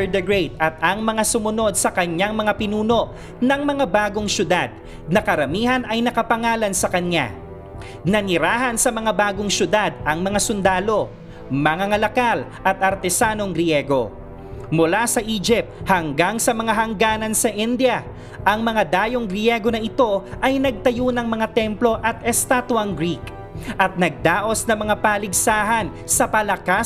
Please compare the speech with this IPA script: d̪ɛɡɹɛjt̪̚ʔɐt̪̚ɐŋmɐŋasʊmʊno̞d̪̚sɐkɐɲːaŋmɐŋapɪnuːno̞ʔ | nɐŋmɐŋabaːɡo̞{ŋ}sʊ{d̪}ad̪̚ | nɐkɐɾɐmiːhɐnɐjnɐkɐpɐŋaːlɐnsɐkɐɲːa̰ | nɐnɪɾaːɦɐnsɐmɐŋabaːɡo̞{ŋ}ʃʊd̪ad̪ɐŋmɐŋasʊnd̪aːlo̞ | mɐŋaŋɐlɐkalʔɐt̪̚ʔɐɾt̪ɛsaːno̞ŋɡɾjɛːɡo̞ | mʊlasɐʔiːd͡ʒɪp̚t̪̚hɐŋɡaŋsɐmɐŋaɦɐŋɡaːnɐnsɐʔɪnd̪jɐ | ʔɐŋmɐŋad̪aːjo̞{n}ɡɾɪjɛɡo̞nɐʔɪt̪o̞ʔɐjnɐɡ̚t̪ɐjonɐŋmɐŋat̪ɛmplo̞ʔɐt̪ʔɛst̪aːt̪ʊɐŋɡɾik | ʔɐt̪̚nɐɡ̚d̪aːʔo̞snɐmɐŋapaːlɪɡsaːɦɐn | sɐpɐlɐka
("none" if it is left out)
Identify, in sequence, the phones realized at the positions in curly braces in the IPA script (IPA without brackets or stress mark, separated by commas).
ŋ, d̪, ŋ, ŋ